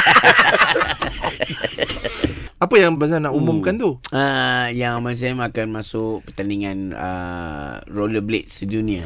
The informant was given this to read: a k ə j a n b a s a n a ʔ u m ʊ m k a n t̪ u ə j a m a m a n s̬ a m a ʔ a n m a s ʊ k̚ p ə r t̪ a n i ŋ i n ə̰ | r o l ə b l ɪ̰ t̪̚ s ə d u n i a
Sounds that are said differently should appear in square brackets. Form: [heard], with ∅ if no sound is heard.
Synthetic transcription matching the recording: a [p] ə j a [ŋ] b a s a n a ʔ u m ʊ m k a n t̪ u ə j a [ŋ] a m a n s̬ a m a [k] a n m a s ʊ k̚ p ə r t̪ a n i ŋ [a] n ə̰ | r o l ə b l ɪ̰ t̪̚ s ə d u n i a